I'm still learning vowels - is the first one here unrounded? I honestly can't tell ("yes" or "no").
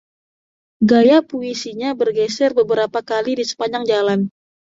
yes